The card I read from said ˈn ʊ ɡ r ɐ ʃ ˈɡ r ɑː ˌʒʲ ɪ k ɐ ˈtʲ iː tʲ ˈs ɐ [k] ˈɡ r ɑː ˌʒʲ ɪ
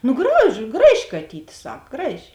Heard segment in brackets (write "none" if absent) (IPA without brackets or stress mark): k